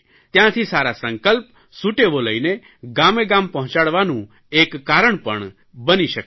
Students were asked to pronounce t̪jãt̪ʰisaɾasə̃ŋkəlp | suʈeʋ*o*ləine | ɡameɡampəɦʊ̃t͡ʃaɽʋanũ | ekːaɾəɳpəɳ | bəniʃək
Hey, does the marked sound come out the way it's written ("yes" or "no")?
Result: yes